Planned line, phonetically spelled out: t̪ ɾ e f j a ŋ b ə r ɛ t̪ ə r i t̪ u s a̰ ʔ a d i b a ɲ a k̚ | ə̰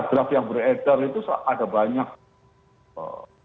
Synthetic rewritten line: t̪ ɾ a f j a ŋ b ə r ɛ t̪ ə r i t̪ u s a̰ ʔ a d a b a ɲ a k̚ | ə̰